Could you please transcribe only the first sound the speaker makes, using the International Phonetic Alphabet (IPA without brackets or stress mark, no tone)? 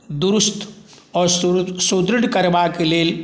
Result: d̪